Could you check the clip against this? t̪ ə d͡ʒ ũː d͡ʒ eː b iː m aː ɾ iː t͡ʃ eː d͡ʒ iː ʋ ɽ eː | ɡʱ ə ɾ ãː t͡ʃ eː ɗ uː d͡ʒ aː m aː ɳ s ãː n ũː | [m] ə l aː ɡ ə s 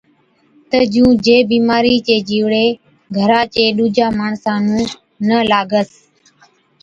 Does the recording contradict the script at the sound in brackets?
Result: yes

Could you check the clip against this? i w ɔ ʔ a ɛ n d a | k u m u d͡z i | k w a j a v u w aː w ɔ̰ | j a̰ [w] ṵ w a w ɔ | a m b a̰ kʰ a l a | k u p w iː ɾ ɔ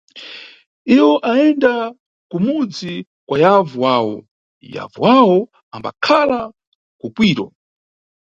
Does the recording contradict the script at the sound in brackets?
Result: yes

